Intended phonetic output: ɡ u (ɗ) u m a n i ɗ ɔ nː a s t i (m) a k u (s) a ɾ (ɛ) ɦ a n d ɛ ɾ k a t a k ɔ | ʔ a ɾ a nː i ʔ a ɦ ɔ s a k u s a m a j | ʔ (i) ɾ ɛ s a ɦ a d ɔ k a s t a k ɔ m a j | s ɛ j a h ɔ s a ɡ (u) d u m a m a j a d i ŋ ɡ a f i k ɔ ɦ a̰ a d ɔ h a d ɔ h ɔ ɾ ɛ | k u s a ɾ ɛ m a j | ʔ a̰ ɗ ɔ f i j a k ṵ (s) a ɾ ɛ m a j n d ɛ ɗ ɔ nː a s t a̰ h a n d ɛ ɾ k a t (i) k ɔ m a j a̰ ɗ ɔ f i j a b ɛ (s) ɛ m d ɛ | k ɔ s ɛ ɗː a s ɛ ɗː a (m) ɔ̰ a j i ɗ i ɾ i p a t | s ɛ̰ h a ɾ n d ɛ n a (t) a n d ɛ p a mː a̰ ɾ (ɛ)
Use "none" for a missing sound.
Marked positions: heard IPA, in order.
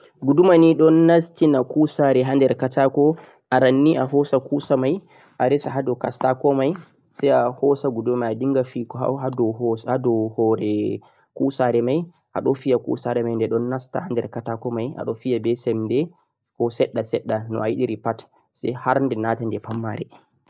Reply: d, n, s, ɛ, a, u, s, a, s, n, t, ɛ

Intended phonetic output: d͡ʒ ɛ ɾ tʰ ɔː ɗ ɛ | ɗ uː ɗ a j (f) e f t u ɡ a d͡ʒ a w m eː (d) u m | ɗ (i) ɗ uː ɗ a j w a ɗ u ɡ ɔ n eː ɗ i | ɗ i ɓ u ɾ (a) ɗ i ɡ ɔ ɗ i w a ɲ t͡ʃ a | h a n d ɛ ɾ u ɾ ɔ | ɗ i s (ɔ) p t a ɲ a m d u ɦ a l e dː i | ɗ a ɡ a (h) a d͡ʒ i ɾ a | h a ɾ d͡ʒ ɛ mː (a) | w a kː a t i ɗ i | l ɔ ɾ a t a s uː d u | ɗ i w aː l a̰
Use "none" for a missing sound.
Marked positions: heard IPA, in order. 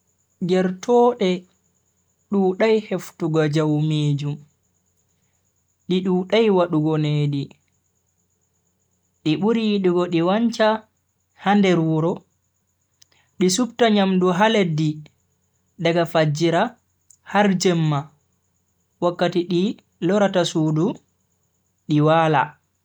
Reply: h, d͡ʒ, i, i, u, f, a

